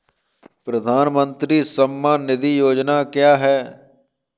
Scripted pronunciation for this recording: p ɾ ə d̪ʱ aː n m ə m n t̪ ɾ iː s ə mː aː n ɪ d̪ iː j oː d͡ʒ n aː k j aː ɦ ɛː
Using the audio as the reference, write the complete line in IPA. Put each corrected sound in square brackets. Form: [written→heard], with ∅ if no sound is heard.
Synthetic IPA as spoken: p ɾ ə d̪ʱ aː n m ə [m→∅] n t̪ ɾ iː s ə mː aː n ɪ d̪ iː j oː d͡ʒ n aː k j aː ɦ ɛː

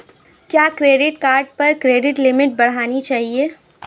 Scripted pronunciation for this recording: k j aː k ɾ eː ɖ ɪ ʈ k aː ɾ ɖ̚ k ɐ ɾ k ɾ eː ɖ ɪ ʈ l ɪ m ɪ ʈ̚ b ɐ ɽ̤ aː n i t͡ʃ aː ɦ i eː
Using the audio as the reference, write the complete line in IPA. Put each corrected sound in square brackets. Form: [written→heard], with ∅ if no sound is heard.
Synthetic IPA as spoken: k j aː k ɾ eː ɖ ɪ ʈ k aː ɾ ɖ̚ [k→p] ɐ ɾ k ɾ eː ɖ ɪ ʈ l ɪ m ɪ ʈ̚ b ɐ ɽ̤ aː n i t͡ʃ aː ɦ i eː

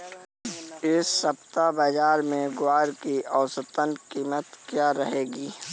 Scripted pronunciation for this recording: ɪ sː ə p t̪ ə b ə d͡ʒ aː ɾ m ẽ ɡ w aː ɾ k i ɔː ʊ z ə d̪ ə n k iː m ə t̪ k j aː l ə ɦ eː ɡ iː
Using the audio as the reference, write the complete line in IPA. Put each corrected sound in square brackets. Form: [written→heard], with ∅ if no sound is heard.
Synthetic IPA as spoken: ɪ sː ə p t̪ [ə→a] b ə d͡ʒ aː ɾ m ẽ ɡ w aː ɾ k i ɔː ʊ [z→s] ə [d̪→t̪] ə n k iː m ə t̪ k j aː [l→ɾ] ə ɦ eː ɡ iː

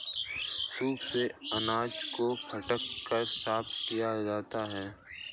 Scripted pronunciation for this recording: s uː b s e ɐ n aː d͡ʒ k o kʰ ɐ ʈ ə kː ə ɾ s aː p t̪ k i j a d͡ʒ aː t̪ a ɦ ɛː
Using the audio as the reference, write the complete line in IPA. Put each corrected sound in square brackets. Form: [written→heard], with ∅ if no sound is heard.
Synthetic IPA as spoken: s uː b s e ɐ n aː d͡ʒ k o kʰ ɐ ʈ ə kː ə ɾ s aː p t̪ k i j a d͡ʒ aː t̪ a ɦ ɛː

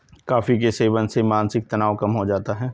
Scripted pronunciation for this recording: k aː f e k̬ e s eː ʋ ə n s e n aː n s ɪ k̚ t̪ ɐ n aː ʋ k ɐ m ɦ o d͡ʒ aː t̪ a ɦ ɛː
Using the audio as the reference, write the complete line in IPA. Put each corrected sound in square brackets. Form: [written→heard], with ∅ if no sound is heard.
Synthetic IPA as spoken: k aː f [e→i] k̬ e s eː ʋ ə n s e [n→m] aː n s ɪ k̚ t̪ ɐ n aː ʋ k ɐ m ɦ o d͡ʒ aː t̪ a ɦ ɛː

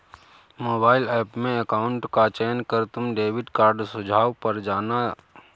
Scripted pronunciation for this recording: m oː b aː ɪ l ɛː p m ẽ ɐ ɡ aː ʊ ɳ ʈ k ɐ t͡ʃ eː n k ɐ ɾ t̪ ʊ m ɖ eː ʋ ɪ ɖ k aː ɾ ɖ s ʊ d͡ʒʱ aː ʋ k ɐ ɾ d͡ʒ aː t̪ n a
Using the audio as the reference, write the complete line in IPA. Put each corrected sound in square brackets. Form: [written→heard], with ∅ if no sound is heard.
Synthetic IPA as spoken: m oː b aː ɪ l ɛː p m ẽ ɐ [ɡ→k] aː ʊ ɳ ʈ k [ɐ→a] t͡ʃ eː n k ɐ ɾ t̪ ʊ m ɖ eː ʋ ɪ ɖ k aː ɾ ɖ s ʊ d͡ʒʱ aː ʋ [k→p] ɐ ɾ d͡ʒ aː [t̪→∅] n a

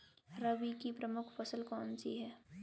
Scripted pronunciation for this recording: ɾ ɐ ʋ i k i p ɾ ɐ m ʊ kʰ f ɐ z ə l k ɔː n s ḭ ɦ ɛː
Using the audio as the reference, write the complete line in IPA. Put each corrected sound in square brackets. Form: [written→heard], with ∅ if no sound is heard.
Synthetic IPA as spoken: ɾ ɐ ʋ i k i p ɾ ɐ m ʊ kʰ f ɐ [z→s] ə l k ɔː n s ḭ ɦ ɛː

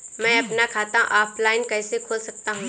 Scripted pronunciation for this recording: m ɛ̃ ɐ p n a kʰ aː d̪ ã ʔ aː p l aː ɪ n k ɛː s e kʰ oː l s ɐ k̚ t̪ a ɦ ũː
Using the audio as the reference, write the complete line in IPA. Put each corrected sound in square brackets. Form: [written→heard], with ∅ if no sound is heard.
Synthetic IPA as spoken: m ɛ̃ ɐ p n a kʰ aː [d̪→t̪] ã ʔ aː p l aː ɪ n k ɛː s e kʰ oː l s ɐ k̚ t̪ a ɦ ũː

